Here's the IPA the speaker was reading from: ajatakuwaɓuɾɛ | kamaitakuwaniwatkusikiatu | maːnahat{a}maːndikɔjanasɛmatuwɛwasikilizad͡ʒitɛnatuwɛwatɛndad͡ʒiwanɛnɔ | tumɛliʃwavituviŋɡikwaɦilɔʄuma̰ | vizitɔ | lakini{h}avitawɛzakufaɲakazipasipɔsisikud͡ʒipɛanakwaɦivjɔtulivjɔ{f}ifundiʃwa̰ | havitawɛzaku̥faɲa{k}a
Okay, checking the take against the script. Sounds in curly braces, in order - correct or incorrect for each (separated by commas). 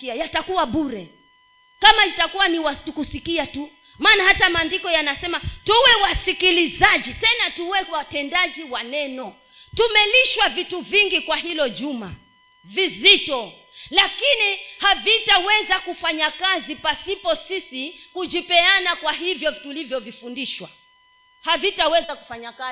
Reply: correct, correct, incorrect, correct